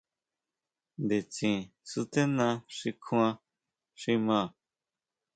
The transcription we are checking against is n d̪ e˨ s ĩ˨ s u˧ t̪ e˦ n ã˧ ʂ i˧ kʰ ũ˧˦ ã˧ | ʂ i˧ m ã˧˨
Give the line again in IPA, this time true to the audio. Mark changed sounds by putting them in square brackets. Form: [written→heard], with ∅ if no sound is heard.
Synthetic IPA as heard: n d̪ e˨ [s→t͡s] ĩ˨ s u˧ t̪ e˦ n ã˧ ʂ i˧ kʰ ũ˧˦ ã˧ | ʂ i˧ m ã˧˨